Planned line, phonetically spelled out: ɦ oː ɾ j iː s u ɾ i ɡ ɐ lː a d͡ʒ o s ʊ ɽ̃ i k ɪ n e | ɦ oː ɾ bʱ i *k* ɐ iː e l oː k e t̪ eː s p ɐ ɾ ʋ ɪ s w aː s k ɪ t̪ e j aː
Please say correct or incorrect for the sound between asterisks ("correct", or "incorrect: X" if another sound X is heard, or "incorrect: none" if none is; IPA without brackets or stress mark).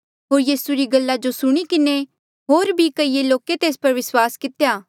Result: correct